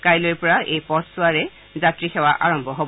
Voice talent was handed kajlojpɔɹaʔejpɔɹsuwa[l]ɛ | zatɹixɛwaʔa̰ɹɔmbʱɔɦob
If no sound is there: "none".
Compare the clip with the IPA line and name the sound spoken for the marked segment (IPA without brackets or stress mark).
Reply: ɹ